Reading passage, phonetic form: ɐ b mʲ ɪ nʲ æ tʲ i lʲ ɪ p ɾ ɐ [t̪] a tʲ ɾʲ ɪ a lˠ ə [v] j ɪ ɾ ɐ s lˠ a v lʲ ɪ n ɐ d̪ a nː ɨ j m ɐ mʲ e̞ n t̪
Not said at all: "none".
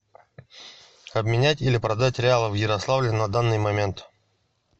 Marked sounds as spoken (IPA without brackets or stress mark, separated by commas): d̪, v